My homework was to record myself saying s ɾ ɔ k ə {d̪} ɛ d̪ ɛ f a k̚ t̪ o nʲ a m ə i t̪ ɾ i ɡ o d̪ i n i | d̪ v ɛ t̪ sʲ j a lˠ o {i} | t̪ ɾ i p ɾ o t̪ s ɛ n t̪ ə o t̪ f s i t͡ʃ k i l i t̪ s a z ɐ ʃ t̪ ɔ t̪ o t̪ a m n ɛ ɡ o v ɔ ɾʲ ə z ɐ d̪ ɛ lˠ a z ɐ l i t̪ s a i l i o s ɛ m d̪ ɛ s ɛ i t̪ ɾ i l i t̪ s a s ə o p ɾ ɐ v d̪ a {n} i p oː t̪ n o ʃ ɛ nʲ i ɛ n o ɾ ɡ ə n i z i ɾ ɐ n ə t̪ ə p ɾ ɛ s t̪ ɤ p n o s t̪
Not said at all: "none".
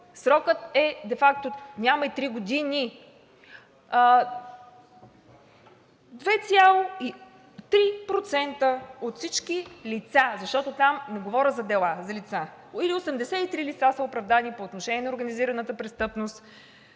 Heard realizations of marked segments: t̪, i, n

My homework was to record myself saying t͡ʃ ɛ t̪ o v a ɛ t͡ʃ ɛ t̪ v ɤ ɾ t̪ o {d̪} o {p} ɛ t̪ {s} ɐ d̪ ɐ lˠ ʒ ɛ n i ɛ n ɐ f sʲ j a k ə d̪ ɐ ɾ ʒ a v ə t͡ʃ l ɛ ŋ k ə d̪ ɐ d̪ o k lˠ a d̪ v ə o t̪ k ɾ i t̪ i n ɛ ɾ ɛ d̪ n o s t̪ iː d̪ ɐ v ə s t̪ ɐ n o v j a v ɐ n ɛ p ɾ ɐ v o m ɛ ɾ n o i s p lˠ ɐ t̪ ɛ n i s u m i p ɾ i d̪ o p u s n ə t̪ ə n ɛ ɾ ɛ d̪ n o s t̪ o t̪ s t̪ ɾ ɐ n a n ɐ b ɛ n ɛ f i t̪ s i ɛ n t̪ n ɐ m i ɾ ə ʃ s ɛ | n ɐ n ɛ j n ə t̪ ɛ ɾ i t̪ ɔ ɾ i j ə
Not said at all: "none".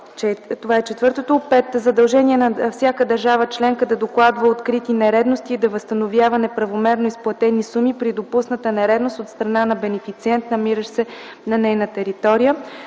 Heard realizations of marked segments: t̪, p, z

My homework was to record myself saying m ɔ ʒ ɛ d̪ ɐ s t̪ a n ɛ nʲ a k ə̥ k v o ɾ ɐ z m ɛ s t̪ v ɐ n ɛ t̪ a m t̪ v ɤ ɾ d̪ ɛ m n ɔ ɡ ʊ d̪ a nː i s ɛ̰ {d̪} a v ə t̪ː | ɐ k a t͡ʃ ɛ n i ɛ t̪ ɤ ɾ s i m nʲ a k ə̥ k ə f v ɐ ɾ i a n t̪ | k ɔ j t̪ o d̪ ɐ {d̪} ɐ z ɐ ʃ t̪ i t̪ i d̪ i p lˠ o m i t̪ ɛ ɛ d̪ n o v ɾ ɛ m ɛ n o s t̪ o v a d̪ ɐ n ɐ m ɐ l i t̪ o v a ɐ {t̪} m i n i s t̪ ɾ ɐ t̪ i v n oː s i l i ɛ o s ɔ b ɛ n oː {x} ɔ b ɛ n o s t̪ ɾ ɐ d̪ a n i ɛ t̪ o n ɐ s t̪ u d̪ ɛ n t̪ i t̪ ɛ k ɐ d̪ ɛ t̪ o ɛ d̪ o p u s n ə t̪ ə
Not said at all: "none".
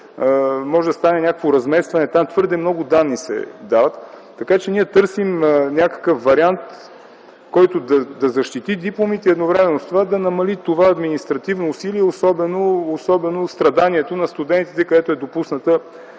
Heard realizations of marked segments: d̪, d̪, d̪, s

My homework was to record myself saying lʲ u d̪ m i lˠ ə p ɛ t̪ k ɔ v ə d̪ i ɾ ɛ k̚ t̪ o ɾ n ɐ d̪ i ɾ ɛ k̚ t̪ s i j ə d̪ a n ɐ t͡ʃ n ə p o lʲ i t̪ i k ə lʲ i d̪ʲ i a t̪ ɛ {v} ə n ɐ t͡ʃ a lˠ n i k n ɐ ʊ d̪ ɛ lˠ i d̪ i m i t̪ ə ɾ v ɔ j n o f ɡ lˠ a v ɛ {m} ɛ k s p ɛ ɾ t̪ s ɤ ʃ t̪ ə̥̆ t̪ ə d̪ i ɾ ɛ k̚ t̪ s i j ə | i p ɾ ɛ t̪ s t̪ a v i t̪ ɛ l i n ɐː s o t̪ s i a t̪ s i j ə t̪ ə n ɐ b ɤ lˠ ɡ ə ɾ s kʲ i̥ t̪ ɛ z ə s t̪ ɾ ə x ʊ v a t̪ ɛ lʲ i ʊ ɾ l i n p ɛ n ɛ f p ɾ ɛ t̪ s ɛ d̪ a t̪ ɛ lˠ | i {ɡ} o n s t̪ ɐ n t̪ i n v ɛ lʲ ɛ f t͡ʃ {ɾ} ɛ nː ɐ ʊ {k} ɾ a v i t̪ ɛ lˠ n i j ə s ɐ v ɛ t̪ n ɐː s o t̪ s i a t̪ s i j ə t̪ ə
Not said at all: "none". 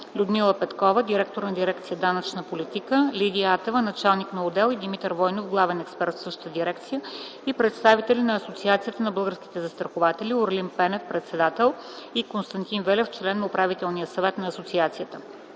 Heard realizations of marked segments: v, n, k, l, p

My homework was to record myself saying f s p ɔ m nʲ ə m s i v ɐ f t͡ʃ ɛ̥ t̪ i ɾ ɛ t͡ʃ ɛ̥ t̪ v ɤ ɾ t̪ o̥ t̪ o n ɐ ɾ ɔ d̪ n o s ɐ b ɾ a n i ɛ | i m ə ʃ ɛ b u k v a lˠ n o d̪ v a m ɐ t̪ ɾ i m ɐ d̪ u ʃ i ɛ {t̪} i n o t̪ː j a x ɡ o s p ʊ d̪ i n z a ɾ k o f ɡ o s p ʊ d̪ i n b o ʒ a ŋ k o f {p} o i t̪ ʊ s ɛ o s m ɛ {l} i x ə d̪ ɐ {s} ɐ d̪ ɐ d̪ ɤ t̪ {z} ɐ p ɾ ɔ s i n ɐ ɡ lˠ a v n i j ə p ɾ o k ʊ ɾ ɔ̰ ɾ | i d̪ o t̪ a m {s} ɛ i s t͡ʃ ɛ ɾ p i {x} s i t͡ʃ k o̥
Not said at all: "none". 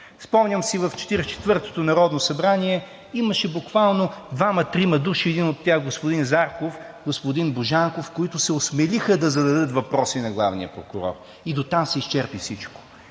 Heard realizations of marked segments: d̪, k, l, z, v, s, f

